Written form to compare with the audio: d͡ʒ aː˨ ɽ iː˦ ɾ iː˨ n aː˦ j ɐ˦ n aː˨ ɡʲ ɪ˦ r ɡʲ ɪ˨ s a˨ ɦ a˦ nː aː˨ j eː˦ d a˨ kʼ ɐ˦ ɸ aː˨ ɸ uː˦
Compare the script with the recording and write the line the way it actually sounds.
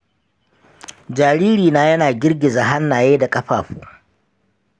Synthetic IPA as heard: d͡ʒ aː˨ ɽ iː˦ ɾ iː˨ n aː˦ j ɐ˦ n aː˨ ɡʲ ɪ˦ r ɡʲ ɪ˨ z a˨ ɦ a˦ nː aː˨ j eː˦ d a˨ kʼ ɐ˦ ɸ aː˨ ɸ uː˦